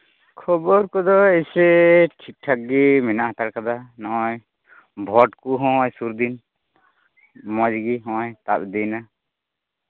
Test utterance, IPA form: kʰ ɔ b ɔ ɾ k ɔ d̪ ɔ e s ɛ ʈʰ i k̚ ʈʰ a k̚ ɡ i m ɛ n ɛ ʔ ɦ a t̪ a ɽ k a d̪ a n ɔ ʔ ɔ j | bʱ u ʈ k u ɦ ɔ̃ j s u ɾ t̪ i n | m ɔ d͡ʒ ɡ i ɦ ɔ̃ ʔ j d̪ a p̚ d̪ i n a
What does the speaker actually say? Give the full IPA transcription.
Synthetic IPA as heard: kʰ ɔ b ɔ ɾ k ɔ d̪ ɔ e s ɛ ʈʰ i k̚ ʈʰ a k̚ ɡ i m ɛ n a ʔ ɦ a t̪ a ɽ k a d̪ a n ɔ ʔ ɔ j | bʱ ɔ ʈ k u ɦ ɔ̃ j s u ɾ d̪ i n | m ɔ d͡ʒ ɡ i ɦ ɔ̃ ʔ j t̪ a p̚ d̪ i n a